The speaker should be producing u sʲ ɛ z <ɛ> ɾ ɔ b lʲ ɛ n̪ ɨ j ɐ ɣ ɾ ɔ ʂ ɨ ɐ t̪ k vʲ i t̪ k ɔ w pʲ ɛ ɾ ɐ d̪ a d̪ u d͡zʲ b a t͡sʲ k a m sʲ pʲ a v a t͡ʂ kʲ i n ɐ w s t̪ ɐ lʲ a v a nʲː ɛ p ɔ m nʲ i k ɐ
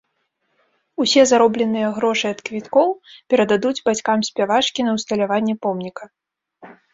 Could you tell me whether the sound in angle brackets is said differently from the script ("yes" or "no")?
yes